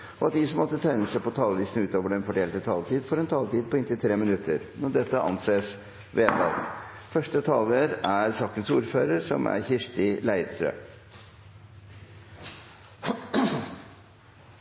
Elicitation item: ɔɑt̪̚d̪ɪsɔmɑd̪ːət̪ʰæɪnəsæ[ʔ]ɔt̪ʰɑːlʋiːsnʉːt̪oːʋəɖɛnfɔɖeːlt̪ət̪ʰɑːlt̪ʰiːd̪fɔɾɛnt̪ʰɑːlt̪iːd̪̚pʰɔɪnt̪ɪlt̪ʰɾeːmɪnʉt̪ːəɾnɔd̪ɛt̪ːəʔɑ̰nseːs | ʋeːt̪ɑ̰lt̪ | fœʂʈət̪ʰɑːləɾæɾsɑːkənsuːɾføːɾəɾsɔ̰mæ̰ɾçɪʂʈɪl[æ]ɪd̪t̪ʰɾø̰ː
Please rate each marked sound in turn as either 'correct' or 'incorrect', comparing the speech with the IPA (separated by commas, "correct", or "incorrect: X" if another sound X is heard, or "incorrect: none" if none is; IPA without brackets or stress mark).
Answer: incorrect: p, correct